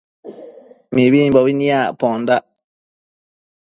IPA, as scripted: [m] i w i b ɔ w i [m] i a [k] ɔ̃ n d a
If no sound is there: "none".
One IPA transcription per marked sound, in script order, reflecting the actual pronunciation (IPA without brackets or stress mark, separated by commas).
m, n, p